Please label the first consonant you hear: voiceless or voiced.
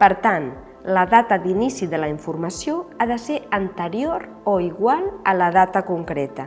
voiceless